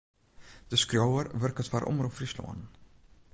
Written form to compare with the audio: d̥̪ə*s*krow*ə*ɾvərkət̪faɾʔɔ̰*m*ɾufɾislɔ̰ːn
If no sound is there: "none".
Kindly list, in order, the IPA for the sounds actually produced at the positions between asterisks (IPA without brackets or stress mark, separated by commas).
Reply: s, ə, m